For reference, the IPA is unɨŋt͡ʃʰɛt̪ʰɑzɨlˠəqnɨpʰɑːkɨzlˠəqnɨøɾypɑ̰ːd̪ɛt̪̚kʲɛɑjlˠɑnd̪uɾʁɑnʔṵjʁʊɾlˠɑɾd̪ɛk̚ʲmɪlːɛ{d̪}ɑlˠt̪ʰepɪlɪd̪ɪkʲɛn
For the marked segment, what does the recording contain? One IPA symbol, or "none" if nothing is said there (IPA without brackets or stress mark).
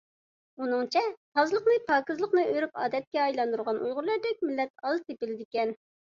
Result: t̪